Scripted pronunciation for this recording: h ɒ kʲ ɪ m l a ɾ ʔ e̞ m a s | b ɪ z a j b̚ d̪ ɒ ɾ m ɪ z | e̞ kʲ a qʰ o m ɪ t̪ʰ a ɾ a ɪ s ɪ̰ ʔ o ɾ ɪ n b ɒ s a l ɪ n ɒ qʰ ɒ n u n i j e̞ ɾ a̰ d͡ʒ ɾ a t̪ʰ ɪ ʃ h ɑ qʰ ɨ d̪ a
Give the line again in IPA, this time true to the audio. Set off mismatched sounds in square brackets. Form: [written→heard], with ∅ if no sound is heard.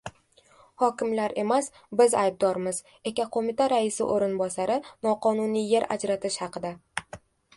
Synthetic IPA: h ɒ kʲ ɪ m l a ɾ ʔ e̞ m a s | b ɪ z a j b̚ d̪ ɒ ɾ m ɪ z | e̞ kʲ a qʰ o m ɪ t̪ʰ a ɾ a ɪ s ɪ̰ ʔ o ɾ ɪ n b ɒ s a [l→ɾ] ɪ n ɒ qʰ ɒ n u n i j e̞ ɾ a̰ d͡ʒ ɾ a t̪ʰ ɪ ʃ h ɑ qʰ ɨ d̪ a